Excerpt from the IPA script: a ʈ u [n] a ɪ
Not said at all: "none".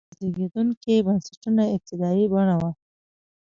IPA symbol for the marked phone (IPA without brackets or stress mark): n